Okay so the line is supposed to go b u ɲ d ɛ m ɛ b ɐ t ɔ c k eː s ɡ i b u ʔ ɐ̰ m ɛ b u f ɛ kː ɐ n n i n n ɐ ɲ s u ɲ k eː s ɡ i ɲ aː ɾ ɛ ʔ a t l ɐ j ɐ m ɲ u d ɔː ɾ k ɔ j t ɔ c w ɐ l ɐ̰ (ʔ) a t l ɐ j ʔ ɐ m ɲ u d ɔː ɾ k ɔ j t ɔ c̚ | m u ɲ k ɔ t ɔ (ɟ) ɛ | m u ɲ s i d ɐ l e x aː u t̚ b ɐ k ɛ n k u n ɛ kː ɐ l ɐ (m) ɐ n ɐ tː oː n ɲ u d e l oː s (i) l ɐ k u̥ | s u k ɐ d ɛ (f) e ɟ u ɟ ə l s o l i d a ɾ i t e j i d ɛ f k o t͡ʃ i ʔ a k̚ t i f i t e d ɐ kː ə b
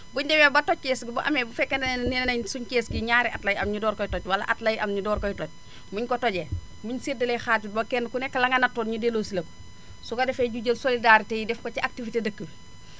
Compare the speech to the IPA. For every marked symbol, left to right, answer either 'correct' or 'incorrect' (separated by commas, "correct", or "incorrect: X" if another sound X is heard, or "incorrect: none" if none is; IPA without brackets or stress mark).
correct, correct, incorrect: ŋ, correct, correct